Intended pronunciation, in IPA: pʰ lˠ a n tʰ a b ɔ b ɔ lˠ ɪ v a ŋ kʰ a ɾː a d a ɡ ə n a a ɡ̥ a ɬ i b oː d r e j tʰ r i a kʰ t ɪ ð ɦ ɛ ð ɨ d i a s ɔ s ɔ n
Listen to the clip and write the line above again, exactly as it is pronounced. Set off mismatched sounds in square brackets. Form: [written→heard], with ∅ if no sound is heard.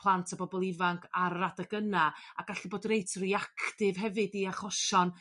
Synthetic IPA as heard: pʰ lˠ a n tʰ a b ɔ b ɔ lˠ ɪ v a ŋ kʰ a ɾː a d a ɡ ə n a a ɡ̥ a ɬ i b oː d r e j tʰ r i a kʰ t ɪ [ð→v] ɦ ɛ [ð→v] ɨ d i a [s→χ] ɔ [s→ʃ] ɔ n